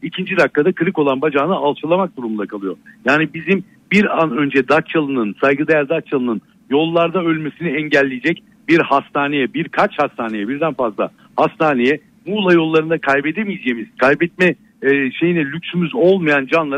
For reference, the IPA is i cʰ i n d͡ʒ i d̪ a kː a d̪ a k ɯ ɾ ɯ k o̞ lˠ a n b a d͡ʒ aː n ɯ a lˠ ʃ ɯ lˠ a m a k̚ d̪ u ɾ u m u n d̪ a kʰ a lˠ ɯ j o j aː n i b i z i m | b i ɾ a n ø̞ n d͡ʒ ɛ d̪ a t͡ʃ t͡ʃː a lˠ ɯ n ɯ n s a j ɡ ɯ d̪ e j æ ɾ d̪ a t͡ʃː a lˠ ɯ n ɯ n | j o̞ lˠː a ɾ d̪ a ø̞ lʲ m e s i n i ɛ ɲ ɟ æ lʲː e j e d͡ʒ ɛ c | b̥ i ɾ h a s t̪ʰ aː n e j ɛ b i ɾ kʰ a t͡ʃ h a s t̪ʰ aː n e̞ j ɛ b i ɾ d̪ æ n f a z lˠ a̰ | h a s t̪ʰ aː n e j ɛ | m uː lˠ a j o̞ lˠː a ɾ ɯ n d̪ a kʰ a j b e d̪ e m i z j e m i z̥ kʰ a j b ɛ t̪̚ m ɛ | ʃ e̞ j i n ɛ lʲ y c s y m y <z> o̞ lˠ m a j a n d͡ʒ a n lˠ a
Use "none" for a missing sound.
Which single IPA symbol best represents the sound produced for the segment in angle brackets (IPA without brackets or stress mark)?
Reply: z